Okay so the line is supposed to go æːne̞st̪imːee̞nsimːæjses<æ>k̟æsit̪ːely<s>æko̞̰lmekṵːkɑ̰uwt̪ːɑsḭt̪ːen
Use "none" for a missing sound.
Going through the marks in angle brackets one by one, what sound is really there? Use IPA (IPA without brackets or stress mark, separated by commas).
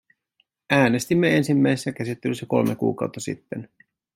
æ, sː